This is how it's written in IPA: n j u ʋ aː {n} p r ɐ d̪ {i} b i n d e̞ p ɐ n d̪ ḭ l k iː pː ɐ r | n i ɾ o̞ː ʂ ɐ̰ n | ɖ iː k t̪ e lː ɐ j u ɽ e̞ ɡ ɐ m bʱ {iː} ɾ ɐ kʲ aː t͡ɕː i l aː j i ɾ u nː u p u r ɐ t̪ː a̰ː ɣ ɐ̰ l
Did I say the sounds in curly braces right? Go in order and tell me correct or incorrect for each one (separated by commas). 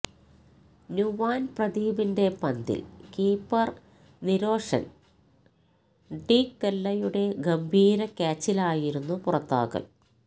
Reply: correct, incorrect, correct